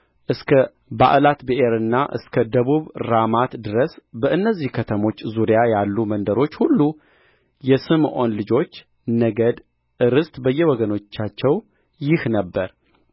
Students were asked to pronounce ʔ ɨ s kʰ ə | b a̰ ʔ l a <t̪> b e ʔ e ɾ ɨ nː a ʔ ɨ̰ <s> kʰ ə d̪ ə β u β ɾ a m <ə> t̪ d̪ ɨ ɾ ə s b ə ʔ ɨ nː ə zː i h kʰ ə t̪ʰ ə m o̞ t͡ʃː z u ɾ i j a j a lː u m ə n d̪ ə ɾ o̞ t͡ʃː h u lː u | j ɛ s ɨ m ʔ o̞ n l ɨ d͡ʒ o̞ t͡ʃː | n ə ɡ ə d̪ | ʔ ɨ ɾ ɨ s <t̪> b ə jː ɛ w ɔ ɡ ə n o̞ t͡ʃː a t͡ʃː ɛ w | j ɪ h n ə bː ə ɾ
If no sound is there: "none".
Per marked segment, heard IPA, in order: t̪, s, a, t̪

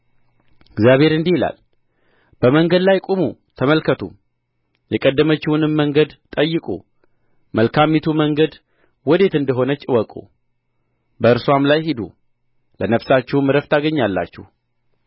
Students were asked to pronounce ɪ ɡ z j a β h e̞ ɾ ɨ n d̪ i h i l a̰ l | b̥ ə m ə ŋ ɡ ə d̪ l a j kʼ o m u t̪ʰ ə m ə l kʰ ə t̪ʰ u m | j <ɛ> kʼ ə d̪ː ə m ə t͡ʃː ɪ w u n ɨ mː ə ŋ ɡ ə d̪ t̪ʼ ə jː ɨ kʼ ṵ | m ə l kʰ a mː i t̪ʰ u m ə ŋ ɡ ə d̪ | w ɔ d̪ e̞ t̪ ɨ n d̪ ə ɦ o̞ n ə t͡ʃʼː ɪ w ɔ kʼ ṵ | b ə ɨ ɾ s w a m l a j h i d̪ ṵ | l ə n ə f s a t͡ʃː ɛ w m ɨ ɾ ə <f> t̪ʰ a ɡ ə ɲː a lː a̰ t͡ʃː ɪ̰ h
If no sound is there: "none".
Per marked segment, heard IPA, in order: ɛ, f

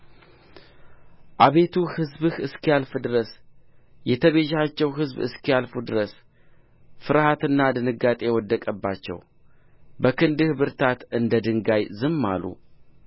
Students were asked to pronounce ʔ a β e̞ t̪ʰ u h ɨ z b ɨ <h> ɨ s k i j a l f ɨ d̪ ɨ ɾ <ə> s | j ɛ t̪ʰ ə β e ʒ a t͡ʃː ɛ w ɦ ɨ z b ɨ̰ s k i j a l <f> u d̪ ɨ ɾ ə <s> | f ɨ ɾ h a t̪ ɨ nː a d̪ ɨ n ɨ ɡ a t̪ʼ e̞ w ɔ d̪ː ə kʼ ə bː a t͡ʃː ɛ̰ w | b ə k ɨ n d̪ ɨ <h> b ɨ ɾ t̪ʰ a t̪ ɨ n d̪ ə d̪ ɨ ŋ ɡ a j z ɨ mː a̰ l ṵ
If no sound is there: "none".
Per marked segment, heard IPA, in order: h, ə, f, s, h

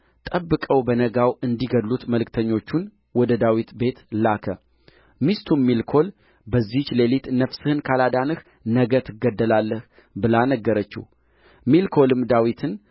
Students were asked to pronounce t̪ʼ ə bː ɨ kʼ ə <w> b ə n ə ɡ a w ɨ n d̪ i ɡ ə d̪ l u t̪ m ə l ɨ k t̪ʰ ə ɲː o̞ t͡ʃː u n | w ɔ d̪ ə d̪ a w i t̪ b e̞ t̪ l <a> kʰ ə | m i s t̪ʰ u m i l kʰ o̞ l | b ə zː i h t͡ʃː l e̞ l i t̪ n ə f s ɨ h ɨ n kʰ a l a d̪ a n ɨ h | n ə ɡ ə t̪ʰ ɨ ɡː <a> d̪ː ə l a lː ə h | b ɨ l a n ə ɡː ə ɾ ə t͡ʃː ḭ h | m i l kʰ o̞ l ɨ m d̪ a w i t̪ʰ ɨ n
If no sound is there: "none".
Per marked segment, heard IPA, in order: w, a, ə

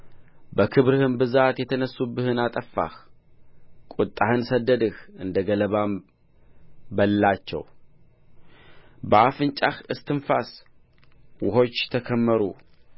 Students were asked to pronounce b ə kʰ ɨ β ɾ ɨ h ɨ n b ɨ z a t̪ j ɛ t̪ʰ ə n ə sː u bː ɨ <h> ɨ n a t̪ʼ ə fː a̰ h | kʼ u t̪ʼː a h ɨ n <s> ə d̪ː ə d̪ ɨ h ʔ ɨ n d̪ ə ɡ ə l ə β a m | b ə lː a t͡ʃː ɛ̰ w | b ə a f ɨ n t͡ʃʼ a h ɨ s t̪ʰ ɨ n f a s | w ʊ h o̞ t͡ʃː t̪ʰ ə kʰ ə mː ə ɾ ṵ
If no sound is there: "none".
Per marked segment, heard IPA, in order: h, s

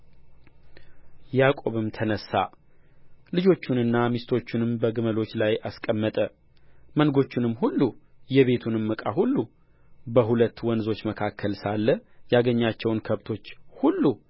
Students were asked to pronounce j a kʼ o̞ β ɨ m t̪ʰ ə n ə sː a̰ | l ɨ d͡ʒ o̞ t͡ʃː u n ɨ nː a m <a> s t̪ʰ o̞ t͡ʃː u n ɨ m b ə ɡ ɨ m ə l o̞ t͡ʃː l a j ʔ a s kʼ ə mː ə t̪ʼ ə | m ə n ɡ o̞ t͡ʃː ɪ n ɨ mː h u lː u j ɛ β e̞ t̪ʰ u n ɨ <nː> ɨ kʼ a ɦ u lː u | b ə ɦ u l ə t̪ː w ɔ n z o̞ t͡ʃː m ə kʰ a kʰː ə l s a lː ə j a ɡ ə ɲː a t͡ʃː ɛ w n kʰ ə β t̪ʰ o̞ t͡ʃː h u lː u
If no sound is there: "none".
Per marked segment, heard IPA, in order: i, mː

